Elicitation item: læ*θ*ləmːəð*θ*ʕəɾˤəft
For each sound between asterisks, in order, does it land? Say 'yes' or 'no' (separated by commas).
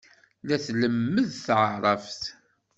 yes, yes